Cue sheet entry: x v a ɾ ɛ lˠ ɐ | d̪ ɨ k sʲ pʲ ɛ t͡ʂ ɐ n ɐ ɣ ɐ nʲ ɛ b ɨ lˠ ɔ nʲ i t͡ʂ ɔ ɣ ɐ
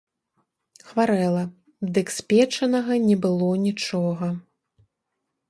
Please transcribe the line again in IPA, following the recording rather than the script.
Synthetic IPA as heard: x v a ɾ ɛ lˠ ɐ | d̪ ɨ k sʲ pʲ ɛ t͡ʂ ɐ n ɐ ɣ ɐ nʲ ɛ b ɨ lˠ ɔ nʲ i t͡ʂ ɔ ɣ ɐ